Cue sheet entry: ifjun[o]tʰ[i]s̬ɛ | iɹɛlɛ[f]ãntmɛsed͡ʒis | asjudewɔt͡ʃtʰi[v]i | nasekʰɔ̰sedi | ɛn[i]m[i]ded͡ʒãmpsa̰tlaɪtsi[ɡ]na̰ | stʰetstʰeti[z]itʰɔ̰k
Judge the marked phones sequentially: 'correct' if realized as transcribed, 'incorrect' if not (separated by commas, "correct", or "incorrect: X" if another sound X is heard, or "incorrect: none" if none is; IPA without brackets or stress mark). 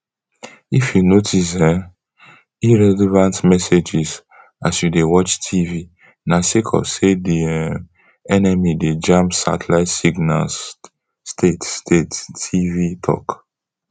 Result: correct, correct, incorrect: v, correct, incorrect: ɛ, correct, correct, incorrect: v